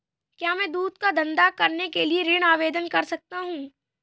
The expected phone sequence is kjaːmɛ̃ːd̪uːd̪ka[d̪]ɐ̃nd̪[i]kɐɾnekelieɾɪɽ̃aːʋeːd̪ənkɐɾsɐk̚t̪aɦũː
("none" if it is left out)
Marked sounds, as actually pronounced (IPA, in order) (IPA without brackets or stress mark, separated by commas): d̪, a